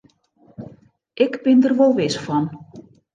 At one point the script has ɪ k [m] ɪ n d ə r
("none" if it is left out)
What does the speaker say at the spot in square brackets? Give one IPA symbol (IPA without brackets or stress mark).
b